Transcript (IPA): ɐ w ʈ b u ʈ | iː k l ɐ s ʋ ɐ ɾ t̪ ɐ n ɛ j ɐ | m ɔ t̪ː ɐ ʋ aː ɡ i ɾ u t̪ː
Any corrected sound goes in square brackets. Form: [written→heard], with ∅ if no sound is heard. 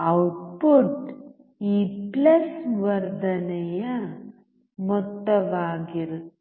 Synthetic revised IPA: ɐ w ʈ [b→p] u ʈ | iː [k→p] l ɐ s ʋ ɐ ɾ [t̪→d̪] ɐ n ɛ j ɐ | m ɔ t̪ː ɐ ʋ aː ɡ i ɾ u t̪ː